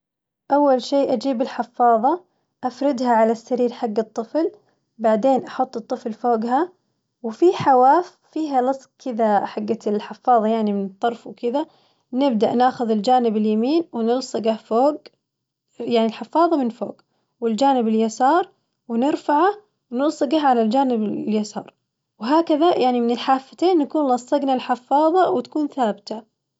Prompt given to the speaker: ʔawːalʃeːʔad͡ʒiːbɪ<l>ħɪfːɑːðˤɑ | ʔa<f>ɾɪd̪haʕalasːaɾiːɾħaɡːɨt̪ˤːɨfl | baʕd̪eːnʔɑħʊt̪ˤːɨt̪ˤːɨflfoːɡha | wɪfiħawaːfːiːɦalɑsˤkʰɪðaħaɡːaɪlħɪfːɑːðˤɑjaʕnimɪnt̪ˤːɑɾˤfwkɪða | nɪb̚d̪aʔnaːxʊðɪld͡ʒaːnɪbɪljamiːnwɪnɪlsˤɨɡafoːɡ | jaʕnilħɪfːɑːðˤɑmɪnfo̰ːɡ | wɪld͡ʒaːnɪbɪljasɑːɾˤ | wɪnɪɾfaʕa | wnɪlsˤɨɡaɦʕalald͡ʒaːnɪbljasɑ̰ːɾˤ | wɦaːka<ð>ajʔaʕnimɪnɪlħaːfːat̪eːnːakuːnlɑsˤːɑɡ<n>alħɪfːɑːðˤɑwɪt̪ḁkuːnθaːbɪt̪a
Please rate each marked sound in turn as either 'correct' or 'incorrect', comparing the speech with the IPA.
correct, correct, correct, correct

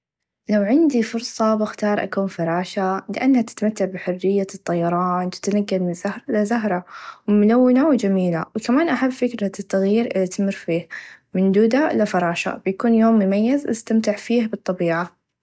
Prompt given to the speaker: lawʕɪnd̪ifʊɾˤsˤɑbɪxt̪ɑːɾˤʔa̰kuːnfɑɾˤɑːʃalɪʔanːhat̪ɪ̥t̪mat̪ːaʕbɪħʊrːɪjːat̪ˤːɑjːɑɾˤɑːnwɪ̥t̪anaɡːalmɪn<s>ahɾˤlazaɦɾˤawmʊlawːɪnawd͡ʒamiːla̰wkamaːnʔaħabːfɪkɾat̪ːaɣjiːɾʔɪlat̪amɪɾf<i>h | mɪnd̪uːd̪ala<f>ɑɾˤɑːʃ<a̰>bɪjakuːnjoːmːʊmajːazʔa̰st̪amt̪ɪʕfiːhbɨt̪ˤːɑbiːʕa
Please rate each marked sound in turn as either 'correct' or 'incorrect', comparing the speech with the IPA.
incorrect: z, incorrect: iː, correct, correct

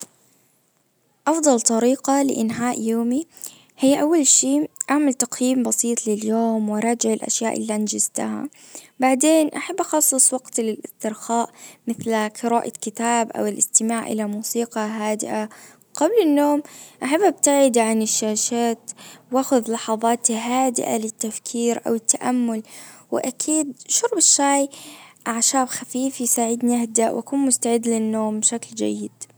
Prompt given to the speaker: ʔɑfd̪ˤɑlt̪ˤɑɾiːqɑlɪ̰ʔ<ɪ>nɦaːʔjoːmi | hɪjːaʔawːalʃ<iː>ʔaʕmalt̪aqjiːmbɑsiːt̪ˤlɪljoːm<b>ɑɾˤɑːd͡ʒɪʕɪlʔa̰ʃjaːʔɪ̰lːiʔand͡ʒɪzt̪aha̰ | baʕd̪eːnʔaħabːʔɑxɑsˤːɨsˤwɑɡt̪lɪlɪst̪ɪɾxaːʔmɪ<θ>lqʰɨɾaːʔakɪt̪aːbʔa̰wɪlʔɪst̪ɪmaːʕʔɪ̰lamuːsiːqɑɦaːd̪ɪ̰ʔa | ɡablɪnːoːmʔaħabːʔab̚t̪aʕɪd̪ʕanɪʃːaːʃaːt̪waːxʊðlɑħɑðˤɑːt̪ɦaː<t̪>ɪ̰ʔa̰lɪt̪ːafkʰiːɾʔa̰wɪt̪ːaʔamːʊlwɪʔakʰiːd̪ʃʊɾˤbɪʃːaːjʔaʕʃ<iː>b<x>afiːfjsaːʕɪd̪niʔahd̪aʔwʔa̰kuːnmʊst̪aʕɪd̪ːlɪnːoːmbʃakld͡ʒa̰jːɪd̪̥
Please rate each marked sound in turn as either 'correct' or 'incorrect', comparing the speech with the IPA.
correct, correct, incorrect: w, correct, incorrect: d̪, incorrect: aː, correct

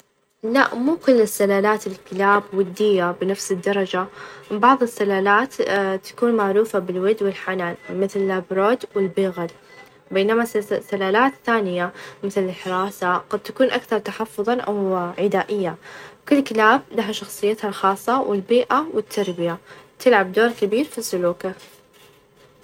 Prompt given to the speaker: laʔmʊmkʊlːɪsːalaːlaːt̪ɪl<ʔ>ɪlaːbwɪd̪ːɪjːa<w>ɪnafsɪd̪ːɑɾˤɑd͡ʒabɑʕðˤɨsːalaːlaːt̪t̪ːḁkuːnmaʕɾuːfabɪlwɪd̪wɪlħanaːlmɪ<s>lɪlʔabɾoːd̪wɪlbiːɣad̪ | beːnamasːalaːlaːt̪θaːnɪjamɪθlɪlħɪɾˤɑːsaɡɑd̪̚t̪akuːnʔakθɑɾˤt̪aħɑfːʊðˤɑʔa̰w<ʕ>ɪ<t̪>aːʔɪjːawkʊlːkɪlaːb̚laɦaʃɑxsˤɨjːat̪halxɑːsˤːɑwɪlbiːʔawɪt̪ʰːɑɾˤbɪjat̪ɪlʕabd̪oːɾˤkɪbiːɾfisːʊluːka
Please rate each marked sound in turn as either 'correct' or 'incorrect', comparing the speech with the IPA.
incorrect: k, incorrect: b, incorrect: θ, correct, incorrect: d̪

